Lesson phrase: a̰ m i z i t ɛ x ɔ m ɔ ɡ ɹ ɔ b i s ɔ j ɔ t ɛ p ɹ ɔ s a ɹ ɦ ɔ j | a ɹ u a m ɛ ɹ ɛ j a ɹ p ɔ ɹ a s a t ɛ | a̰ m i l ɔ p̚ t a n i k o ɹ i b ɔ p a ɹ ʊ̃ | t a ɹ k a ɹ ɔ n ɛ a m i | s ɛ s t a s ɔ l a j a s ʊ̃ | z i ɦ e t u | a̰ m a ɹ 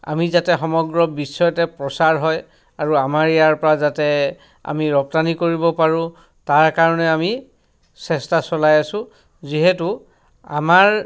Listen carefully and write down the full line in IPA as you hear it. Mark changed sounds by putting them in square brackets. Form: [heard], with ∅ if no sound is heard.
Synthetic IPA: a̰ m i z [a] t ɛ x ɔ m ɔ ɡ ɹ ɔ b i s ɔ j ɔ t ɛ p ɹ ɔ s a ɹ ɦ ɔ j | a ɹ u a m [a] ɹ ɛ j a ɹ p ɔ ɹ a [z] a t ɛ | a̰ m i [ɹ] ɔ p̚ t a n i k o ɹ i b ɔ p a ɹ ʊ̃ | t a ɹ k a ɹ ɔ n ɛ a m i | s ɛ s t a s ɔ l a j a s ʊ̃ | z i ɦ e t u | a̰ m a ɹ